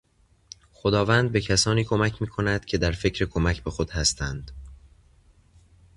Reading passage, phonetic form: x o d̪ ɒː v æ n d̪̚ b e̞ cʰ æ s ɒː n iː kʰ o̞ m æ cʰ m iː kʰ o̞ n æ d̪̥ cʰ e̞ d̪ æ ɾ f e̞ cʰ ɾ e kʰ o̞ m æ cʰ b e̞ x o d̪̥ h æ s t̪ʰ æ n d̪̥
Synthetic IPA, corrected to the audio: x o d̪ ɒː v æ n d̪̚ b e̞ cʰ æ s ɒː n iː kʰ o̞ m æ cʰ m iː kʰ o̞ n æ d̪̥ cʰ e̞ d̪ æ ɾ f e̞ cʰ ɾ e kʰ o̞ m æ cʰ b e̞ x o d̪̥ h æ s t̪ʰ æ n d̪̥

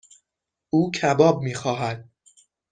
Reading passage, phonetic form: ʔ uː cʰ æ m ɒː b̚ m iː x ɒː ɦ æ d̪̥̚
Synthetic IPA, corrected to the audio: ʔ uː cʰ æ b ɒː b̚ m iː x ɒː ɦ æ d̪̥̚

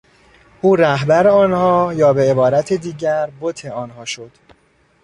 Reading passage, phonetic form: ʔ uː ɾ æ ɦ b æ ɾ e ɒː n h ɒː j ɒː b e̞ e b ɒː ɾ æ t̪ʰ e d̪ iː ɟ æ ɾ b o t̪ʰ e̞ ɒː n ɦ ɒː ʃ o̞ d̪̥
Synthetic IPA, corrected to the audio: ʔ uː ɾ æ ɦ b æ ɾ e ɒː n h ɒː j ɒː b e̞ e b ɒː ɾ æ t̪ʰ e d̪ iː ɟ æ ɾ b o t̪ʰ e̞ ɒː n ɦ ɒː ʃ o̞ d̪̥

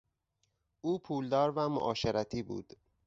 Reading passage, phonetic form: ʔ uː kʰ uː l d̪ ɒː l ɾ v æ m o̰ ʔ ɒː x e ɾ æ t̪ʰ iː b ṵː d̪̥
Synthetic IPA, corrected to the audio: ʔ uː pʰ uː l d̪ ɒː ɾ v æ m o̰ ʔ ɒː ʃ e ɾ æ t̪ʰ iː b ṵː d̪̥

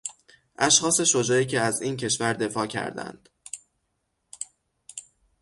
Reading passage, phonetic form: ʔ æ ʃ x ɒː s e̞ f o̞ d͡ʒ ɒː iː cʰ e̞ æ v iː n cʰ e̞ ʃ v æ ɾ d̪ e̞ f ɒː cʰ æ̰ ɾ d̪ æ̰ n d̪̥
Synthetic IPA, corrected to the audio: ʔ æ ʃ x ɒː s e̞ ʃ o̞ d͡ʒ ɒː iː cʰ e̞ æ z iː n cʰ e̞ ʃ v æ ɾ d̪ e̞ f ɒː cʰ æ̰ ɾ d̪ æ̰ n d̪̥

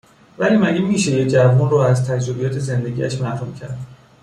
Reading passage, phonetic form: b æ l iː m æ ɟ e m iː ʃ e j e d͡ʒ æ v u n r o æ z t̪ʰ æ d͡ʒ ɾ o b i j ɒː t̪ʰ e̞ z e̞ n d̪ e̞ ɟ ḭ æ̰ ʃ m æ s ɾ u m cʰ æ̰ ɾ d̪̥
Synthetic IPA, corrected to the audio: v æ l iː m æ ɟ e m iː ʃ e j e d͡ʒ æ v u n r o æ z t̪ʰ æ d͡ʒ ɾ o b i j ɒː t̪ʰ e̞ z e̞ n d̪ e̞ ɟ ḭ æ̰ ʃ m æ h ɾ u m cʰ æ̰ ɾ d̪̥

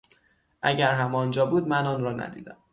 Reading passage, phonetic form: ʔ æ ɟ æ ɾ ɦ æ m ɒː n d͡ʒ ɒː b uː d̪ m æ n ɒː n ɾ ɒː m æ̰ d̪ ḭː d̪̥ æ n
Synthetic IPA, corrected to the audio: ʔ æ ɟ æ ɾ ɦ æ m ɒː n d͡ʒ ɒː b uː d̪ m æ n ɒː n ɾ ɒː n æ̰ d̪ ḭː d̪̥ æ m

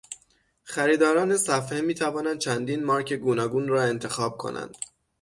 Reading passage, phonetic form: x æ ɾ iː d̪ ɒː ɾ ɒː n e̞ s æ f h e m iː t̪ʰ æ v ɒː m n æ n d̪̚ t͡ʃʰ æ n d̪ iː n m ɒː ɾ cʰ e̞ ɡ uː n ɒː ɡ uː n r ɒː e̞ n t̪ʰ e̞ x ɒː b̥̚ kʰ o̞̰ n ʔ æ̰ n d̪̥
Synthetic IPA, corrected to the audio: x æ ɾ iː d̪ ɒː ɾ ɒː n e̞ s æ f h e m iː t̪ʰ æ v ɒː n æ n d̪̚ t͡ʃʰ æ n d̪ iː n m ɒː ɾ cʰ e̞ ɡ uː n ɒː ɡ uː n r ɒː e̞ n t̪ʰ e̞ x ɒː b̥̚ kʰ o̞̰ n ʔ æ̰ n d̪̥

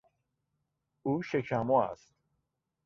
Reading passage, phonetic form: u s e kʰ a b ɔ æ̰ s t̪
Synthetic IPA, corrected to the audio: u ʃ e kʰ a m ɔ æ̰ s t̪

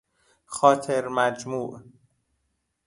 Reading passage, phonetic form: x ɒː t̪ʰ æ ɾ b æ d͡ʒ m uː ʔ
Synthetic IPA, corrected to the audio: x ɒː t̪ʰ e ɾ m æ d͡ʒ m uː ʔ

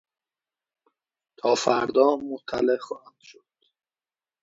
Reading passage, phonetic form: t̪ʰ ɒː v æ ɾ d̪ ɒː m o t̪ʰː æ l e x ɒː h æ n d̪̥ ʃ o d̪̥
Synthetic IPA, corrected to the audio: t̪ʰ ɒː f æ ɾ d̪ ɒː m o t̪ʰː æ l e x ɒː h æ n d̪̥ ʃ o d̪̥

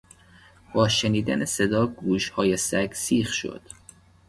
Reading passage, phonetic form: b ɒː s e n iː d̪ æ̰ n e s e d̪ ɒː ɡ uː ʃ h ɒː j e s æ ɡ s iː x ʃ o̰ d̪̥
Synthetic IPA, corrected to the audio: b ɒː ʃ e n iː d̪ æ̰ n e s e d̪ ɒː ɡ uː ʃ h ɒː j e s æ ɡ s iː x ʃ o̰ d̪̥

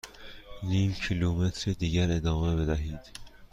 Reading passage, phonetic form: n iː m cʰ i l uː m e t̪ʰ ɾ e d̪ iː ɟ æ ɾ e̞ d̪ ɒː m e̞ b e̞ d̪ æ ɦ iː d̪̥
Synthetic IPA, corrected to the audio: n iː m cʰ i l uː m e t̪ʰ ɾ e d̪ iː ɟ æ ɾ e̞ d̪ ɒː m e̞ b e̞ d̪ æ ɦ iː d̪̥

